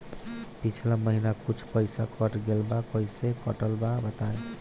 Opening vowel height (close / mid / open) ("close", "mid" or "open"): close